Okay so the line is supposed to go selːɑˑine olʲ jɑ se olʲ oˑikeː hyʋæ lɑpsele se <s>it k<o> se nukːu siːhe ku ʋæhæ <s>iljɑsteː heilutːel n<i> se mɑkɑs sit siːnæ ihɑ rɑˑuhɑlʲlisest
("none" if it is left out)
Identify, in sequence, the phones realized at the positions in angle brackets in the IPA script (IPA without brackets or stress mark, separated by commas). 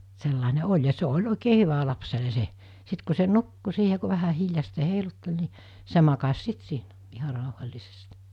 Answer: s, u, h, i